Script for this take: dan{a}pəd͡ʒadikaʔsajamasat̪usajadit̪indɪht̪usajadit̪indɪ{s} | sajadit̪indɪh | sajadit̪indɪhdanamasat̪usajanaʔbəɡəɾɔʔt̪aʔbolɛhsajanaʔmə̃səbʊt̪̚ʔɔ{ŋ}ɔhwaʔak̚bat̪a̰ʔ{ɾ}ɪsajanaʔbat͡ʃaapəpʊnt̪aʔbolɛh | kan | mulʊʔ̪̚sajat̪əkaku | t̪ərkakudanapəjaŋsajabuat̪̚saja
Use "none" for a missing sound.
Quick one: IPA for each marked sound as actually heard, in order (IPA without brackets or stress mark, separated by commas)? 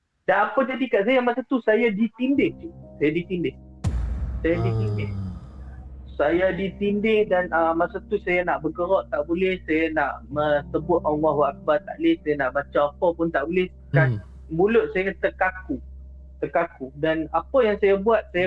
a, h, ŋ, l